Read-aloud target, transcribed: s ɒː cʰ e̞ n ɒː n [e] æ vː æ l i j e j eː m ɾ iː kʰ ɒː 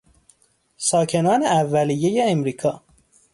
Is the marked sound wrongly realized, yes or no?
no